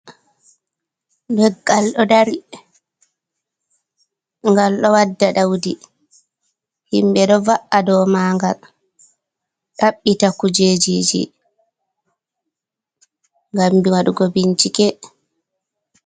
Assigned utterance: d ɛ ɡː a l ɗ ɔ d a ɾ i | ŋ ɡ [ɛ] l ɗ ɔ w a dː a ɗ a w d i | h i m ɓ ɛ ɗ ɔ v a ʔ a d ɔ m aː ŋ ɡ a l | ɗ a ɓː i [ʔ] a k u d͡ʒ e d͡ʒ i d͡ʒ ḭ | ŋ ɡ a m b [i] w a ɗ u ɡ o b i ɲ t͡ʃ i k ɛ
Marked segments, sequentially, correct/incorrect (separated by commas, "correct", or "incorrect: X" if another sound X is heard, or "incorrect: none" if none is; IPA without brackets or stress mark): incorrect: a, incorrect: t, correct